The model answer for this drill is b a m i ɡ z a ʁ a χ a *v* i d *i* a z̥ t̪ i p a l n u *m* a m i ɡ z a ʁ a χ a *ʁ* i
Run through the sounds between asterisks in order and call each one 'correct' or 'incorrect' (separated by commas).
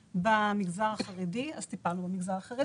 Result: incorrect, correct, incorrect, correct